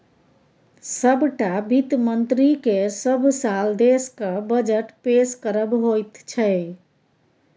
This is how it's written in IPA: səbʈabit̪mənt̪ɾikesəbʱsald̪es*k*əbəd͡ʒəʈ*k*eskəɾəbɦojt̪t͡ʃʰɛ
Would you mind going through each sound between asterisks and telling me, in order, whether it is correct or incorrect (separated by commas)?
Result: correct, incorrect